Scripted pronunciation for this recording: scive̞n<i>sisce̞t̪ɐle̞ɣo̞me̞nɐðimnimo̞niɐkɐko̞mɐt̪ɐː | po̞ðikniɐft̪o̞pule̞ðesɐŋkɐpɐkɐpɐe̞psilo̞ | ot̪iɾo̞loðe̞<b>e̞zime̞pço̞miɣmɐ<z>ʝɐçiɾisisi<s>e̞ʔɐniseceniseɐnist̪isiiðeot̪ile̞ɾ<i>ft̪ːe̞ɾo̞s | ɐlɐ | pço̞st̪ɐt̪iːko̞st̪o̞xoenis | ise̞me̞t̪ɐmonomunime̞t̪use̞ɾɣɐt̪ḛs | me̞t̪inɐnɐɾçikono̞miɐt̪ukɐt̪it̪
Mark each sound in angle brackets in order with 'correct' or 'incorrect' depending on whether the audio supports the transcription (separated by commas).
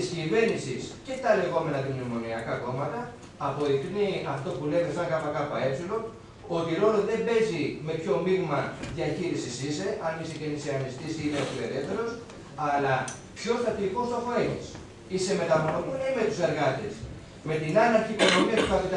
correct, correct, incorrect, correct, incorrect